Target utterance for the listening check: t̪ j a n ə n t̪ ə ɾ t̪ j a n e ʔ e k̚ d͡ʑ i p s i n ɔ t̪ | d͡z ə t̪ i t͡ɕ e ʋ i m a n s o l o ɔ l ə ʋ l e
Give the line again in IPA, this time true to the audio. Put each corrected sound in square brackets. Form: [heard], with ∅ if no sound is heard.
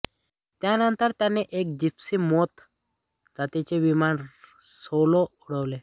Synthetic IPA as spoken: t̪ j a n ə n t̪ ə ɾ t̪ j a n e ʔ e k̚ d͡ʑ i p s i [m] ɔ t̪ | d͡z [a] t̪ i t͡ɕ e ʋ i m a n s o l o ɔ [ɽ] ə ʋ l e

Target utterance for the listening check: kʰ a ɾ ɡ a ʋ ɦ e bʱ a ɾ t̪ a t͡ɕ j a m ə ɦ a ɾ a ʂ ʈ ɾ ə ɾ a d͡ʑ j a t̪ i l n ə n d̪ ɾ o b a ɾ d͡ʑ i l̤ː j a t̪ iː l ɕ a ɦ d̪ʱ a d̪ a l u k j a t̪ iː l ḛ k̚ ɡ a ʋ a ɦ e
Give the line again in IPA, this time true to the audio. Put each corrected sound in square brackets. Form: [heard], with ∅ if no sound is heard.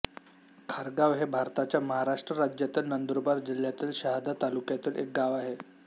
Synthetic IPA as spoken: kʰ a ɾ ɡ a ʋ ɦ e bʱ a ɾ t̪ a t͡ɕ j a m ə ɦ a ɾ a ʂ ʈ ɾ ə ɾ a d͡ʑ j a t̪ i l n ə n d̪ ɾ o b a ɾ d͡ʑ i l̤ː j a t̪ iː l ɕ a ɦ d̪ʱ a [t̪] a l u k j a t̪ iː l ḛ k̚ ɡ a ʋ a ɦ e

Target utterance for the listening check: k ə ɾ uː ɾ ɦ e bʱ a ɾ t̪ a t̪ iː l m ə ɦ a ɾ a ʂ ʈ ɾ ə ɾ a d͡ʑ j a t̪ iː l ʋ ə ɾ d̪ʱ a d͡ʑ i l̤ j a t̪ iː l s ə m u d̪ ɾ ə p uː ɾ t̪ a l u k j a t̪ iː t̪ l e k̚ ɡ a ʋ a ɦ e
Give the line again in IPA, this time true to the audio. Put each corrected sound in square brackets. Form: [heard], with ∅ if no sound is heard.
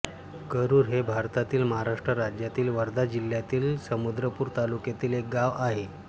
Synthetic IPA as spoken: k ə ɾ uː ɾ ɦ e bʱ a ɾ t̪ a t̪ iː l m ə ɦ a ɾ a ʂ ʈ ɾ ə ɾ a d͡ʑ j a t̪ iː l ʋ ə ɾ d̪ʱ a d͡ʑ i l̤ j a t̪ iː l s ə m u d̪ ɾ ə p uː ɾ t̪ a l u k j a t̪ iː [∅] l e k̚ ɡ a ʋ a ɦ e

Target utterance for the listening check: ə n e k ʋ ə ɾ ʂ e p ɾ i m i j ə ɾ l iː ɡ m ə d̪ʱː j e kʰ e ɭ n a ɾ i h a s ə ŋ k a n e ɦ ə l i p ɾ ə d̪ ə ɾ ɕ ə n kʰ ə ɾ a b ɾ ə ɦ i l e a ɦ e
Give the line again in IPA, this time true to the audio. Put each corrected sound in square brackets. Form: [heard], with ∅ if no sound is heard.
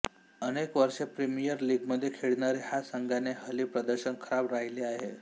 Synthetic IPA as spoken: ə n e k ʋ ə ɾ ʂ e p ɾ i m i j ə ɾ l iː ɡ m ə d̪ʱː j e kʰ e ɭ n a ɾ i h a s ə ŋ [ɡ] a n e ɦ ə l i p ɾ ə d̪ ə ɾ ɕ ə n kʰ ə ɾ a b ɾ [a] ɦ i l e a ɦ e

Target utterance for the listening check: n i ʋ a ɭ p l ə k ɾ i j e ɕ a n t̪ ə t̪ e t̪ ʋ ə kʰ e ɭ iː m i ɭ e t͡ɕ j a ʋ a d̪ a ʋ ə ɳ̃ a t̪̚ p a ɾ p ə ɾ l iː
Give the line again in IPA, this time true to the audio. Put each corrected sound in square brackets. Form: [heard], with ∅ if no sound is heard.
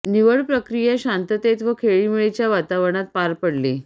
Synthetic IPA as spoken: n i ʋ [ə] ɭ p [ɾ] ə k ɾ i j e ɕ a n t̪ ə t̪ e t̪ ʋ ə kʰ e ɭ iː m i ɭ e t͡ɕ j a ʋ a [t̪] a ʋ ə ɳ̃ a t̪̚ p a ɾ p ə [ɽ] l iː

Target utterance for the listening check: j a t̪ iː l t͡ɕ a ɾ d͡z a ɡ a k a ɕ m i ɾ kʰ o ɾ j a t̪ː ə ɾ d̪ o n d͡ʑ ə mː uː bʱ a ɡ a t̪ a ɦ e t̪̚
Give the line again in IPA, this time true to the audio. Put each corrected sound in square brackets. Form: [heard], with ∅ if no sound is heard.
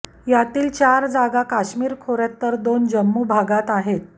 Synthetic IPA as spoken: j a t̪ iː l t͡ɕ a ɾ d͡z a ɡ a k a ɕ m [iː] ɾ kʰ o ɾ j a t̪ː ə ɾ d̪ o n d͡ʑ ə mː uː bʱ a ɡ a t̪ a ɦ e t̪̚

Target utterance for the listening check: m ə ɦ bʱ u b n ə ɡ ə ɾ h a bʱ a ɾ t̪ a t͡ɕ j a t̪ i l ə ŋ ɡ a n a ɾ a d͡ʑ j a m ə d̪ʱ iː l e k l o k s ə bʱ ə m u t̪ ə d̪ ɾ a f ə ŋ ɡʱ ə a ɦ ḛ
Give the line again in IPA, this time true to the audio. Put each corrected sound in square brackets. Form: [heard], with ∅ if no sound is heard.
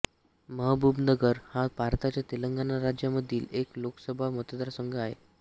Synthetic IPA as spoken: m ə ɦ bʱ u b n ə ɡ ə ɾ h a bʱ a ɾ t̪ a t͡ɕ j a t̪ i l ə ŋ ɡ a n a ɾ a d͡ʑ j a m ə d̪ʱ iː l e k l o k s ə bʱ [a] m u t̪ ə d̪ ɾ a [s] ə ŋ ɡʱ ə a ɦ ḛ

